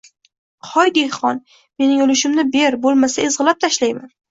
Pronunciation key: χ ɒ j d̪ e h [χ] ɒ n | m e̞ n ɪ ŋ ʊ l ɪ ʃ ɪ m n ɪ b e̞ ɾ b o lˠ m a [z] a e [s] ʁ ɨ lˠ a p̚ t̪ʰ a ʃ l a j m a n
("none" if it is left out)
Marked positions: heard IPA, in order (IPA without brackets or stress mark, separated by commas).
χ, s, z